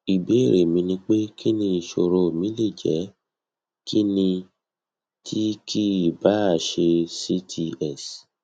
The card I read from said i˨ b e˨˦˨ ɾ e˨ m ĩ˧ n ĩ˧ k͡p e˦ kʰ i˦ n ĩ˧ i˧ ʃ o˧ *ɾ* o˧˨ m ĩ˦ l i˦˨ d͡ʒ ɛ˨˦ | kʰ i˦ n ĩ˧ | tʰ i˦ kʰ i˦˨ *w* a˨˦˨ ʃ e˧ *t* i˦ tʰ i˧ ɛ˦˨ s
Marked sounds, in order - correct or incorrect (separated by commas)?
correct, incorrect, incorrect